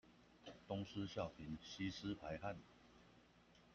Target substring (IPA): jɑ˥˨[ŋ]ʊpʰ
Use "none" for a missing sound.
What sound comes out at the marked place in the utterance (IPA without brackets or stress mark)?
none